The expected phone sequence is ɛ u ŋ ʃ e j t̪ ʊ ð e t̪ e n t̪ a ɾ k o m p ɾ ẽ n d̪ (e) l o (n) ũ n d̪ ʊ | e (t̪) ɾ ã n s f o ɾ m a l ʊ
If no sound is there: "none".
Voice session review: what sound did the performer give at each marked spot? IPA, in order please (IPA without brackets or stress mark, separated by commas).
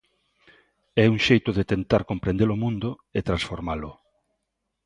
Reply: e, m, t̪